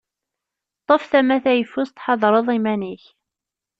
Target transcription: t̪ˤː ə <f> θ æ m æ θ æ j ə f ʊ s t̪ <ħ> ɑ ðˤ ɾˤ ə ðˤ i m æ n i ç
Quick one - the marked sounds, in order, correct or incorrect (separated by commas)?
correct, correct